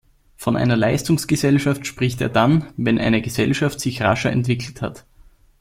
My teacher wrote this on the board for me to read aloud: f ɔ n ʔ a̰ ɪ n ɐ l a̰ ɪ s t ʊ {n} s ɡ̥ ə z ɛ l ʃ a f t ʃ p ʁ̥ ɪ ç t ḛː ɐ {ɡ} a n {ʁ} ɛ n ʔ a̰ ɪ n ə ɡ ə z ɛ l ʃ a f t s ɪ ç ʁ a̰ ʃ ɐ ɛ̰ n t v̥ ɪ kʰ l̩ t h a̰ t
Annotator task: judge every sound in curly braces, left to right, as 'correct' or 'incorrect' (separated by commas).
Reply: incorrect, incorrect, incorrect